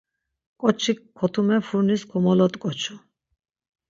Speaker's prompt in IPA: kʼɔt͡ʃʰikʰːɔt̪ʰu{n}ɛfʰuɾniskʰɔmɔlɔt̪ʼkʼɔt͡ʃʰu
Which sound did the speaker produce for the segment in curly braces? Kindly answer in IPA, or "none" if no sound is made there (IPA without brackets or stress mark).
m